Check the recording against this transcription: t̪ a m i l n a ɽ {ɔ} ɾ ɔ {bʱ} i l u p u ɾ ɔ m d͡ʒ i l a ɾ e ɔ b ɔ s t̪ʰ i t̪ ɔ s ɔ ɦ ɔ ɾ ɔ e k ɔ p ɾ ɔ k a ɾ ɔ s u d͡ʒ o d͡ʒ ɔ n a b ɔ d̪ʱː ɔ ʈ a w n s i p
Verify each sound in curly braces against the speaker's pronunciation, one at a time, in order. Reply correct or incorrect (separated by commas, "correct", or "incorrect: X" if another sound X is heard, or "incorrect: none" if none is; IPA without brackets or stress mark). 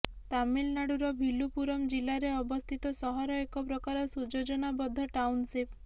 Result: incorrect: u, correct